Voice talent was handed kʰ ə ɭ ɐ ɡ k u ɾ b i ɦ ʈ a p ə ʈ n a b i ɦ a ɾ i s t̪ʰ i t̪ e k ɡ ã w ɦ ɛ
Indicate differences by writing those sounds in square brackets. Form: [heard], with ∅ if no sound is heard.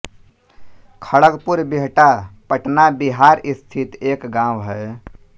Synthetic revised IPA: kʰ ə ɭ [ə] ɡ [p] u ɾ b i ɦ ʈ a p ə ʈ n a b i ɦ a ɾ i s t̪ʰ i t̪ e k ɡ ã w ɦ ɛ